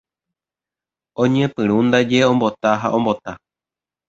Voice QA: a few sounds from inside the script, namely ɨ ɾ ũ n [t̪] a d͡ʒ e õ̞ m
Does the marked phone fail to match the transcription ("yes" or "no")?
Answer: yes